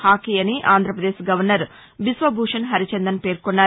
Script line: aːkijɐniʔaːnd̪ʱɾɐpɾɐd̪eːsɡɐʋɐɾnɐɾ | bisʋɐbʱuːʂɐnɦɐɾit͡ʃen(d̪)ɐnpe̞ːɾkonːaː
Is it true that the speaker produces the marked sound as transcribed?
yes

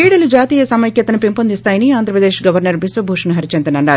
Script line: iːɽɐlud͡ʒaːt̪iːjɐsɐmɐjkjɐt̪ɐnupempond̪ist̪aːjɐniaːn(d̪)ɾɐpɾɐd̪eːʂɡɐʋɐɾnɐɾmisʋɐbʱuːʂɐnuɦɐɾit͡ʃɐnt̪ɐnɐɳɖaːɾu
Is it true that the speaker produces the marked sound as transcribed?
yes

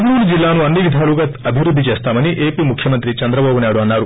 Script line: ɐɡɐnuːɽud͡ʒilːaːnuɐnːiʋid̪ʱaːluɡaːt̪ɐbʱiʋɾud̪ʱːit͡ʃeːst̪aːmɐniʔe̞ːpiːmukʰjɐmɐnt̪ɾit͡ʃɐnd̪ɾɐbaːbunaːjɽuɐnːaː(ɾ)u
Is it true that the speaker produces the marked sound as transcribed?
yes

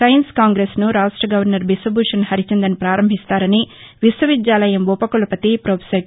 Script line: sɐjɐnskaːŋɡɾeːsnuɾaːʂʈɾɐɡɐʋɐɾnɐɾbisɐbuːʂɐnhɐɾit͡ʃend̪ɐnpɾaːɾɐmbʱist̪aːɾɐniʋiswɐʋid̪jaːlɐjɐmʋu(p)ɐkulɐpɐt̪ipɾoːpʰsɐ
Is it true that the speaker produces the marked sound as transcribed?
yes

